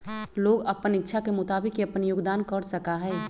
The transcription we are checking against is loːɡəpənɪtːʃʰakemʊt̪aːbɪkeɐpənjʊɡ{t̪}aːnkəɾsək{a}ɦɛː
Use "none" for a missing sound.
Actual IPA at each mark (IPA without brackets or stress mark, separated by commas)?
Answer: d̪, a